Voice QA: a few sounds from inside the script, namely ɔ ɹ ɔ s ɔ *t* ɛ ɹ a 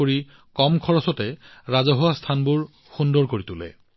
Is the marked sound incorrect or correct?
correct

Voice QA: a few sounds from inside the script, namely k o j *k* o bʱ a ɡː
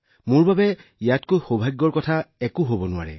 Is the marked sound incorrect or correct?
incorrect: x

